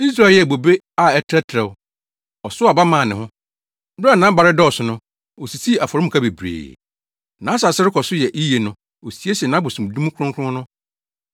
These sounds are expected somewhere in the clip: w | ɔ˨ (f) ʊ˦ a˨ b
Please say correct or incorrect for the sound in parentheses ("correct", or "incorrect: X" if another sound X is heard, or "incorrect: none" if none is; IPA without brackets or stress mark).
incorrect: s